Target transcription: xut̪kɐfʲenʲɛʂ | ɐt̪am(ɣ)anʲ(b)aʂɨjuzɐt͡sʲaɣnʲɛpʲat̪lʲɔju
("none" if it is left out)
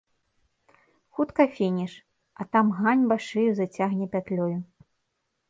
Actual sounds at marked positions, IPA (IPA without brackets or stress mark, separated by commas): ɣ, b